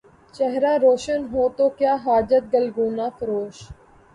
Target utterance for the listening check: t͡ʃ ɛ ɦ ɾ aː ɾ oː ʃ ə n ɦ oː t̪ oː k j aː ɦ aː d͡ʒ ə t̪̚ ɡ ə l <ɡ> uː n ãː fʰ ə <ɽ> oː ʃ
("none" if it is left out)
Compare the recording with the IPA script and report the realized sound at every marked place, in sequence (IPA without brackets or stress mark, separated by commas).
ɡ, ɾ